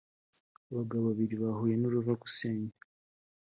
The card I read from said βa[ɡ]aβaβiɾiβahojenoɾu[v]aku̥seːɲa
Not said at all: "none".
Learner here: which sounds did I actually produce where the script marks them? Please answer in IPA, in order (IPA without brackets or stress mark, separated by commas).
ɡ, v